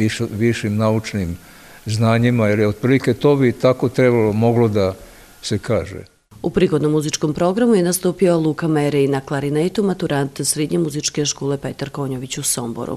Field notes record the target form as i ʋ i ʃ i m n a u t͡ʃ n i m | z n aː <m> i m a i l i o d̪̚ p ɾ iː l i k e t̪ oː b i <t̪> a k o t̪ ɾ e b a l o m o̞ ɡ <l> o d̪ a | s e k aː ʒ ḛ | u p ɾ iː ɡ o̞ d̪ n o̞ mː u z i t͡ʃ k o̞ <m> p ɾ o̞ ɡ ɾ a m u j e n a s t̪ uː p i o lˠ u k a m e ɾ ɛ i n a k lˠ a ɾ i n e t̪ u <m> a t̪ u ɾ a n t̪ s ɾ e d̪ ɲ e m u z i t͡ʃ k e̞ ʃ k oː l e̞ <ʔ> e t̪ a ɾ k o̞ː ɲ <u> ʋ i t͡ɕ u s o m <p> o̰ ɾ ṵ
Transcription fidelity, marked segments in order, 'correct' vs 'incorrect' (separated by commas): incorrect, correct, correct, correct, correct, incorrect, incorrect, incorrect